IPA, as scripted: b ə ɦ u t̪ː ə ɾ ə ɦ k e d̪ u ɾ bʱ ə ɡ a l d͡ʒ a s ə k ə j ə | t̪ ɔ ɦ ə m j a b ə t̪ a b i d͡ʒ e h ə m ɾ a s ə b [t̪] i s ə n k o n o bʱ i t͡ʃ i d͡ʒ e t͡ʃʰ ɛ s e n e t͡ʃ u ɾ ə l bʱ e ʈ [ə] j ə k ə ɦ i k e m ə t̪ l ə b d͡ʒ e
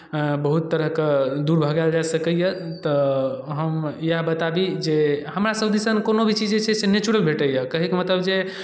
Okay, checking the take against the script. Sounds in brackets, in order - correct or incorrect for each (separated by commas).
incorrect, correct